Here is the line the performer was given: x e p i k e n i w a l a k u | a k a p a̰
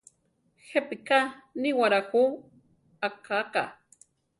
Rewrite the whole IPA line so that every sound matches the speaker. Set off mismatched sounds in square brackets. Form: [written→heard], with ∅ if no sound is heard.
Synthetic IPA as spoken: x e p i k [e→a] n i w a [l→ɾ] a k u | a k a [p→k] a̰

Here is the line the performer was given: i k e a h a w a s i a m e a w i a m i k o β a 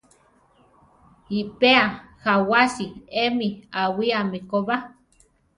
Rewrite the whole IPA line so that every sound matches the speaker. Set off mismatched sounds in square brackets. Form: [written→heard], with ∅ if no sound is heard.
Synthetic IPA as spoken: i [k→p] e a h a w a s i [a→e] m [e→i] a w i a m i k o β a

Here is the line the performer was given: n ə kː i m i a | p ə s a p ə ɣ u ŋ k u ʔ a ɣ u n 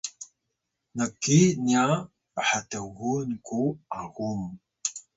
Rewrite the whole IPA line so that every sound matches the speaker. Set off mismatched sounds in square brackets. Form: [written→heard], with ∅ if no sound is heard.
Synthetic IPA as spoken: n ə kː i [m→n] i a | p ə [s→ħ] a [p→t] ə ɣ u [ŋ→n] k u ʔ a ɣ u [n→m]

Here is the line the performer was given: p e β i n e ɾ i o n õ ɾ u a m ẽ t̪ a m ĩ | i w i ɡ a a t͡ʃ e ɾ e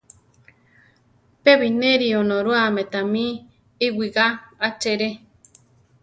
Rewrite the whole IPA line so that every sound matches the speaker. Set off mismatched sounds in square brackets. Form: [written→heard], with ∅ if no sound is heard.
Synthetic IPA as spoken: p e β i n e ɾ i o n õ ɾ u a m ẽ t̪ a m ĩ | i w i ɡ a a t͡ʃ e ɾ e

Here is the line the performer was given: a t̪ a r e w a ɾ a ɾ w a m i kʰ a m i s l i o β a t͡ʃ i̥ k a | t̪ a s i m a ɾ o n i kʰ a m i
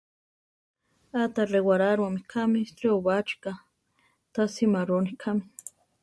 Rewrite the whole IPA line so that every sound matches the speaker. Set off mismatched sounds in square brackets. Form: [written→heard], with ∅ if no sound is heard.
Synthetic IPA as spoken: a t̪ a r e w a ɾ a ɾ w a m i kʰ a m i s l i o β a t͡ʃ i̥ k a | t̪ a s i m a ɾ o n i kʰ a m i

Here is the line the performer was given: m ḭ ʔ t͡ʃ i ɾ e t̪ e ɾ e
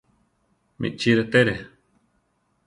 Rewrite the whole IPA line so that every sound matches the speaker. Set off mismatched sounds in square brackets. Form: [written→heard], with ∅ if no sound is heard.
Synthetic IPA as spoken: m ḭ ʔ t͡ʃ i ɾ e t̪ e ɾ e

